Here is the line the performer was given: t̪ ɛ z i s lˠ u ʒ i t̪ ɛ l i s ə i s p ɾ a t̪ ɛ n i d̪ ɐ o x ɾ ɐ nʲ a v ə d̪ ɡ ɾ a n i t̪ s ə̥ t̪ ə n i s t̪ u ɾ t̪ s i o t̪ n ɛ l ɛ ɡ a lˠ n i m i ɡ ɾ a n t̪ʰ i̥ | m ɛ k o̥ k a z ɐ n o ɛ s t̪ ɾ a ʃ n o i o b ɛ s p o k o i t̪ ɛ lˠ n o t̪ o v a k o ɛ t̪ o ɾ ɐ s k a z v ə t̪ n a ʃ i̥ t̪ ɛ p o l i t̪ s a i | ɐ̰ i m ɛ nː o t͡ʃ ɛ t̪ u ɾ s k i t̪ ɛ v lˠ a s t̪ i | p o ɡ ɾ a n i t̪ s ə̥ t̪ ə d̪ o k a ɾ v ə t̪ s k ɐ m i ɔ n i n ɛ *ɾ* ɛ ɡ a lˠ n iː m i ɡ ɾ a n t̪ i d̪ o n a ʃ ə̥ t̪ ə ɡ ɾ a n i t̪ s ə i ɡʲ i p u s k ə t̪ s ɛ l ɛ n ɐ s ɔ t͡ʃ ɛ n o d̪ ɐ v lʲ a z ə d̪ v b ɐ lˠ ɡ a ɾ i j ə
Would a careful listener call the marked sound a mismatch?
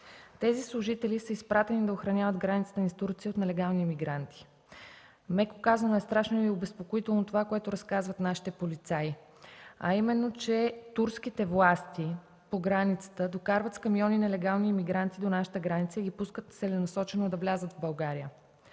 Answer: yes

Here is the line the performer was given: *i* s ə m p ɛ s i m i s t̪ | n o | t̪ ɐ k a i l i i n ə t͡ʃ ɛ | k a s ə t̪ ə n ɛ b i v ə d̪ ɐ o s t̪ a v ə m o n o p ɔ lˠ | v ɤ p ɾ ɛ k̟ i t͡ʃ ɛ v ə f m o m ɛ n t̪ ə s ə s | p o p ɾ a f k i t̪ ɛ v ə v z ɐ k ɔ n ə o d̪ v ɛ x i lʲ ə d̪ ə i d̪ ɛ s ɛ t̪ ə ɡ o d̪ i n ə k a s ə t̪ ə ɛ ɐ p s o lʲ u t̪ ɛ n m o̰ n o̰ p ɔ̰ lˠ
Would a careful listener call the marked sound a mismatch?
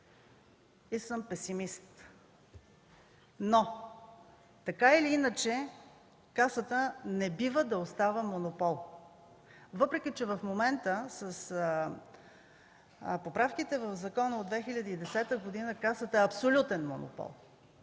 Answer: no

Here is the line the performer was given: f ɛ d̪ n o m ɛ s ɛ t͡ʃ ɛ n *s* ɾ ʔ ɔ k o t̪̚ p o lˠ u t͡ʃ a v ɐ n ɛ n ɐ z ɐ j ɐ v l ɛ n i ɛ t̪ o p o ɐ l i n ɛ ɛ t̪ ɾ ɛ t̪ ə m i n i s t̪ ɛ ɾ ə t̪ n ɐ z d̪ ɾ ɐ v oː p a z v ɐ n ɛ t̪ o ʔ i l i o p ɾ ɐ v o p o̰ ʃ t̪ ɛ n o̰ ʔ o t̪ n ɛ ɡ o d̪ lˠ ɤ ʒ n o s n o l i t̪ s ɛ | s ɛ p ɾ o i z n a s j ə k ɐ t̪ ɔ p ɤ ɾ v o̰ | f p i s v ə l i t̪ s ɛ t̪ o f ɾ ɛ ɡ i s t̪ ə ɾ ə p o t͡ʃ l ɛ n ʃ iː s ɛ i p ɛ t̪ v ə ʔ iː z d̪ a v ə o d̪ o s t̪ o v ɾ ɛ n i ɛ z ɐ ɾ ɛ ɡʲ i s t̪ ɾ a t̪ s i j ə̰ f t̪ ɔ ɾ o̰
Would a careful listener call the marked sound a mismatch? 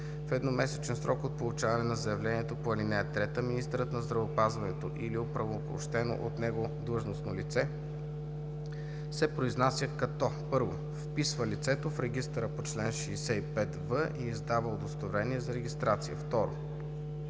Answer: no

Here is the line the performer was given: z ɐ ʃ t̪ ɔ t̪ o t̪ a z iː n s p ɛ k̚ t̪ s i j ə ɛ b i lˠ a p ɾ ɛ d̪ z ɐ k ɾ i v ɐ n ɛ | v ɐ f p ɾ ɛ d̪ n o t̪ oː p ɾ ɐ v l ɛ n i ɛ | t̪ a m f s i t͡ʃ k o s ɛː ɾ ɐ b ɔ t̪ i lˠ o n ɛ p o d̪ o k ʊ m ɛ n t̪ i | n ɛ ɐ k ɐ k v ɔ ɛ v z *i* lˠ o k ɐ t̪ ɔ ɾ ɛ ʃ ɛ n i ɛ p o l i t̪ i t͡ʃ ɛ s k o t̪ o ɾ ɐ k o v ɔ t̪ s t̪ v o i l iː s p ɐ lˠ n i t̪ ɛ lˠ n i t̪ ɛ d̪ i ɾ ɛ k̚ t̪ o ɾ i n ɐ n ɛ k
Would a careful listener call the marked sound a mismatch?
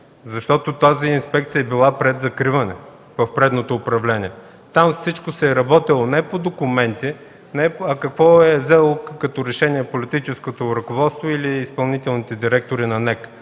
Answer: yes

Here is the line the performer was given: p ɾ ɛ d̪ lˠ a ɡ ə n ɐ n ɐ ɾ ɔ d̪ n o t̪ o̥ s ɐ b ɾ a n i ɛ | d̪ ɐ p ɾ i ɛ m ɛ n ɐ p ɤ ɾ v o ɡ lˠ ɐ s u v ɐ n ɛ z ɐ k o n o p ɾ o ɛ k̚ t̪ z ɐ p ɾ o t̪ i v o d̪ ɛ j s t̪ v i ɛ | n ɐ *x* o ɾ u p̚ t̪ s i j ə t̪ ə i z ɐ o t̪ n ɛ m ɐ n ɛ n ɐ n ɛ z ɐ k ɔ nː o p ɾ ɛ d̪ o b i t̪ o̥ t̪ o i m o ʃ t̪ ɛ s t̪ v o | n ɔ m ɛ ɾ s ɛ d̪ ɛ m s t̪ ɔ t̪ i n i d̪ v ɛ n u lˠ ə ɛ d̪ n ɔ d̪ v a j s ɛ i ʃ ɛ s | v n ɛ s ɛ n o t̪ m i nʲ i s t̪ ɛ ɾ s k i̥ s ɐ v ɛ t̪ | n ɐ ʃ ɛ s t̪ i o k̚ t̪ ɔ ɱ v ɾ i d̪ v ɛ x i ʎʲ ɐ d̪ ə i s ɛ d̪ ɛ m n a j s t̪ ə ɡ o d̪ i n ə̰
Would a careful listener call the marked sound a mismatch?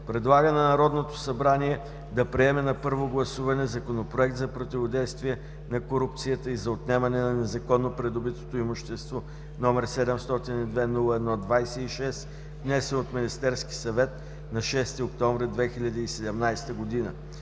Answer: yes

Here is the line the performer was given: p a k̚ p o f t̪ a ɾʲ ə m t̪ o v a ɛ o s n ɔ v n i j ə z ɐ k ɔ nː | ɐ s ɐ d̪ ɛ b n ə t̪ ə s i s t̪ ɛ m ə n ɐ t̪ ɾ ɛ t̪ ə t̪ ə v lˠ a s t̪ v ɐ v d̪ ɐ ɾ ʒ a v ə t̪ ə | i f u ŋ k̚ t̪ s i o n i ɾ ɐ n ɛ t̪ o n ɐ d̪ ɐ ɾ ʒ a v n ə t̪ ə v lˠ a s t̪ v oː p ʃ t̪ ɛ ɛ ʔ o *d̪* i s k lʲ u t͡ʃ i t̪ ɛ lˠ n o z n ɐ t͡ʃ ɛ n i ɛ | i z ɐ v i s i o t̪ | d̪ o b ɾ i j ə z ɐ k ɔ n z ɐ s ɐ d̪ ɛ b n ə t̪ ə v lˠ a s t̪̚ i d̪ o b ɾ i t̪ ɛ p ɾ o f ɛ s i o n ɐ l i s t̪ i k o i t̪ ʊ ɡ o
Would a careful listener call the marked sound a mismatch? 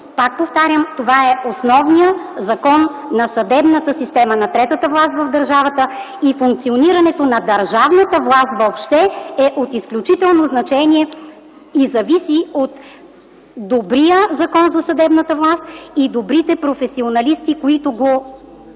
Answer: yes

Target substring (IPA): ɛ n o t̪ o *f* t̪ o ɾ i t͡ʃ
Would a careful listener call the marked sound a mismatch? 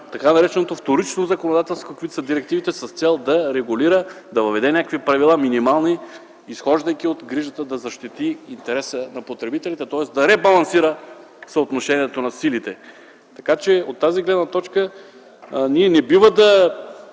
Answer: no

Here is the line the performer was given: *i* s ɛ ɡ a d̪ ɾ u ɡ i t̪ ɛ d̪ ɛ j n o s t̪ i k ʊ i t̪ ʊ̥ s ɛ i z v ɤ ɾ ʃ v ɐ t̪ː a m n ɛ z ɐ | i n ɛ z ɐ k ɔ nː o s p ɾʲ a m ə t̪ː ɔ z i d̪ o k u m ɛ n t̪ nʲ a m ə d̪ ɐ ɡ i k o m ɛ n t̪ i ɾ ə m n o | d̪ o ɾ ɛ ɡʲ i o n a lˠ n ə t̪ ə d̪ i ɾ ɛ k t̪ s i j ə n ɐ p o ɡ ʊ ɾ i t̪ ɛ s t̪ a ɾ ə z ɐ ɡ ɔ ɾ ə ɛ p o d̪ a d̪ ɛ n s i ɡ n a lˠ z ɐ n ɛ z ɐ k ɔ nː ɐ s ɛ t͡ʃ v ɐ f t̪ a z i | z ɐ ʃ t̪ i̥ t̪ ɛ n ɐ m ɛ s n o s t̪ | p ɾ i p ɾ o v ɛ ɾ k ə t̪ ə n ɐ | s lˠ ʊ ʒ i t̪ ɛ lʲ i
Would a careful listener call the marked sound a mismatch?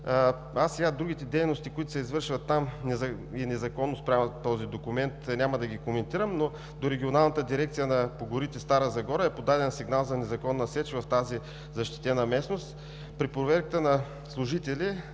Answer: yes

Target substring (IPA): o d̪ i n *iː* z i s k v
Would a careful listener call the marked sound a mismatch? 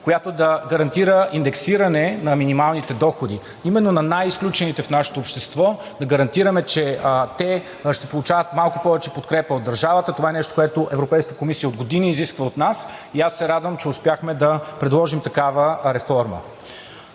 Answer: no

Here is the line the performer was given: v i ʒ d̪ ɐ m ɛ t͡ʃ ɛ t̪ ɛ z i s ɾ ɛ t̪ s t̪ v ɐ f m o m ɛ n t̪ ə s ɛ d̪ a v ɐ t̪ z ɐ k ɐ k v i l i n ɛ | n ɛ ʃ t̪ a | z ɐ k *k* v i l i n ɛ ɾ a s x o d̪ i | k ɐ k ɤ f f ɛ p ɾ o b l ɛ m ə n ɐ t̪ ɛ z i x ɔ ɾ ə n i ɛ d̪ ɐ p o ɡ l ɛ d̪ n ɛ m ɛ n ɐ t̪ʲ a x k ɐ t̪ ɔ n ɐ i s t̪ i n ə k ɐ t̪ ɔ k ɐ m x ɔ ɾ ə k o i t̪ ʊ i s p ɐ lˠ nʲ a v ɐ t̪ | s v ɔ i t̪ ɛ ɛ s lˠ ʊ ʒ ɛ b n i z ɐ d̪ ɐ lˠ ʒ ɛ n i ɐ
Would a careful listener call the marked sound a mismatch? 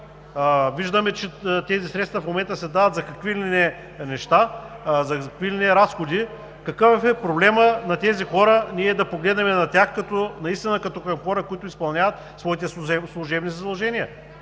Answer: no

